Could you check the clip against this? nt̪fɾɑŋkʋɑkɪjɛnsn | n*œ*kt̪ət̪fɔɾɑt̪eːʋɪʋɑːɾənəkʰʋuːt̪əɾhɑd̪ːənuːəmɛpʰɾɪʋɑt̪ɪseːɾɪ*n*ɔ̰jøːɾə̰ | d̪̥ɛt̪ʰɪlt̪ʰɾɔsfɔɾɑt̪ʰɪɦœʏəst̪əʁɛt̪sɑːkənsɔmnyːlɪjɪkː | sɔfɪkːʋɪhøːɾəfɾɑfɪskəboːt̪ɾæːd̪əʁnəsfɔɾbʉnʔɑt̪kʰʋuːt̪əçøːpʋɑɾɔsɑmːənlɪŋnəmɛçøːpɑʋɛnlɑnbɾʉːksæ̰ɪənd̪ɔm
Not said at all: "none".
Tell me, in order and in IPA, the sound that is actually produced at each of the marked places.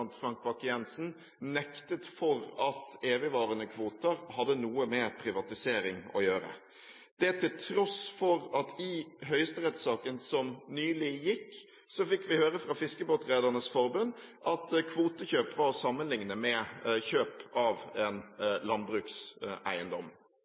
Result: ɛ, ŋ

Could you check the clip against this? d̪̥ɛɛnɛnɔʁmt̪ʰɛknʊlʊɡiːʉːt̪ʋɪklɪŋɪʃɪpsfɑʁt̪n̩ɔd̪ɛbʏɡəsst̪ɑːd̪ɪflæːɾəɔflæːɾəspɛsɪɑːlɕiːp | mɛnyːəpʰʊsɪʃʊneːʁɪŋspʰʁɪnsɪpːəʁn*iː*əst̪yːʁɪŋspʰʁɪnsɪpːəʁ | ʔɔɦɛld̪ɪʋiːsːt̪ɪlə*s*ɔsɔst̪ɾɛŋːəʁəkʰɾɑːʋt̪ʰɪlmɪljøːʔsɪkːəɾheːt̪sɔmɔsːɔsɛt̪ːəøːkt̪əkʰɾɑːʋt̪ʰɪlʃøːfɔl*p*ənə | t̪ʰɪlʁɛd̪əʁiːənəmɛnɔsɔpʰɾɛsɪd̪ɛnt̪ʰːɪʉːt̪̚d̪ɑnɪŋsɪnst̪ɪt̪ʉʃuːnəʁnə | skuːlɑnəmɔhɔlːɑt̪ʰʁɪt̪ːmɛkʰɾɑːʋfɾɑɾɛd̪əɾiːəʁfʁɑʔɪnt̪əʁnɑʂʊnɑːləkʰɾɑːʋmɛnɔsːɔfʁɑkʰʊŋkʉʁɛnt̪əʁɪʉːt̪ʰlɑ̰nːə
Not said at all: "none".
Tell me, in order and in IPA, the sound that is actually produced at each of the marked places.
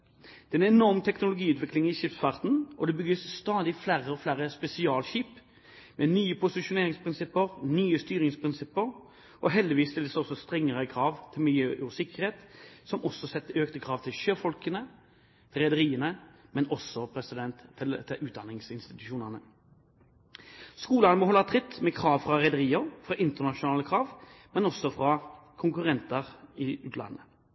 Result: yː, s, k

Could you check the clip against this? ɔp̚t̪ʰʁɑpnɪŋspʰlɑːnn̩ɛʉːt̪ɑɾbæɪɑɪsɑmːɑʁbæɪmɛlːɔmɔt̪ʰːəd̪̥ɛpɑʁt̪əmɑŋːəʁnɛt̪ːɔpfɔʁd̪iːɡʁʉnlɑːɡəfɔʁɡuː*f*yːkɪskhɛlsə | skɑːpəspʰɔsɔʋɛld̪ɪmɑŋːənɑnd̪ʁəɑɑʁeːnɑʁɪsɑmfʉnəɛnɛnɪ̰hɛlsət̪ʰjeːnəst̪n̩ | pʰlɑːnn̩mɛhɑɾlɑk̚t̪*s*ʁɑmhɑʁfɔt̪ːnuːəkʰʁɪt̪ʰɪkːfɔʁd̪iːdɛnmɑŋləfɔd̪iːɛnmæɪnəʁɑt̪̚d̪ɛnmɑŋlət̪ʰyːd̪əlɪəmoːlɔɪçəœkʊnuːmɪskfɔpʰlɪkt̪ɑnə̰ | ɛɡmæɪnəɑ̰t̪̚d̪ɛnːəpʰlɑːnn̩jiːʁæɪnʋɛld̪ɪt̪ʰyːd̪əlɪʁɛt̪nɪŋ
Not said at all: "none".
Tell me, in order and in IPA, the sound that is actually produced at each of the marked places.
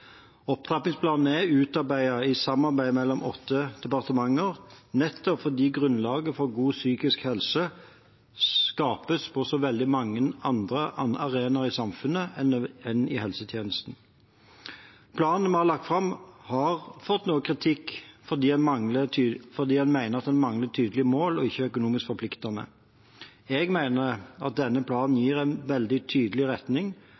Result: s, f

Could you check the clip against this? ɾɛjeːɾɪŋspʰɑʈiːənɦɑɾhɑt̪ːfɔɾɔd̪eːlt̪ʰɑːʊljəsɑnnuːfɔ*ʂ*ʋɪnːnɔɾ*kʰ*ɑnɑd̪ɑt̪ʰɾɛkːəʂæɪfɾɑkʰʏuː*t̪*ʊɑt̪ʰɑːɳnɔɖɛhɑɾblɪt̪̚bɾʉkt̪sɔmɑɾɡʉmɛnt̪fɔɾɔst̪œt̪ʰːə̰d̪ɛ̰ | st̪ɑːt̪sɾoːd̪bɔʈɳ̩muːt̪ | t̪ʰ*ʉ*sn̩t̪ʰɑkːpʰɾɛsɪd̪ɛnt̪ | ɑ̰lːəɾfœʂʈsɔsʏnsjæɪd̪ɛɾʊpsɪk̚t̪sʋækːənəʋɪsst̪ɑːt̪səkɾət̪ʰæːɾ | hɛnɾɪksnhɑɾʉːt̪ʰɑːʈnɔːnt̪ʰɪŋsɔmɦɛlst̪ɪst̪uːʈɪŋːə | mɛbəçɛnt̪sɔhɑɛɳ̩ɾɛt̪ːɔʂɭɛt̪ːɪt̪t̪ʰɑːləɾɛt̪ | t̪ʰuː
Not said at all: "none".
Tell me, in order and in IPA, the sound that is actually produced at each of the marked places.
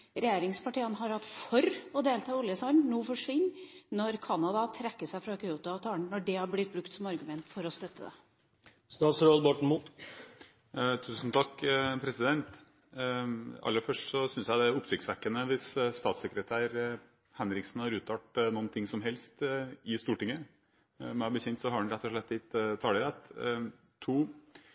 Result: ʂ, kʰ, t̪, ʉː

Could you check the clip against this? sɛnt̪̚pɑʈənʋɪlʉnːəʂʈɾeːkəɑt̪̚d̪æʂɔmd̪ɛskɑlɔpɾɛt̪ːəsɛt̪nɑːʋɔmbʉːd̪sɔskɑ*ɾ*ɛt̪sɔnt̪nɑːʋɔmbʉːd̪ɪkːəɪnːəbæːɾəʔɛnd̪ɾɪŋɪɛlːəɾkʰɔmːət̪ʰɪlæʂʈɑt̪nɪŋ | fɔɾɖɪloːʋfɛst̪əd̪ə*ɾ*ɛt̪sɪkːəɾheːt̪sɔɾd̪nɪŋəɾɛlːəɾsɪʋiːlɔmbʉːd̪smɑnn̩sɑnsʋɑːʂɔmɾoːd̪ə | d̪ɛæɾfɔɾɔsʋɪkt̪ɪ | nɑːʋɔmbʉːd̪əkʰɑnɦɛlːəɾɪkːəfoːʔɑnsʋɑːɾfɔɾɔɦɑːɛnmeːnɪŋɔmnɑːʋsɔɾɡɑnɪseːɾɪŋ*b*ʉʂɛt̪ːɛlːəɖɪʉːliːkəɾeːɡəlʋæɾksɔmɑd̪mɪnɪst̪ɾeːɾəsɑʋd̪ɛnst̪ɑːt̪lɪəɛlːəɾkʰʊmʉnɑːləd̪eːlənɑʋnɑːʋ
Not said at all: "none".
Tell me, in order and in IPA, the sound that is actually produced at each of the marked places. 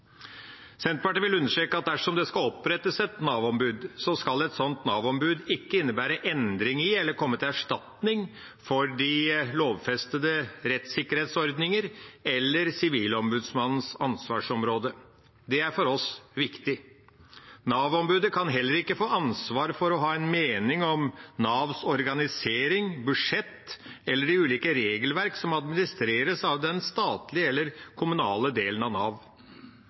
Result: l, ɾ, b

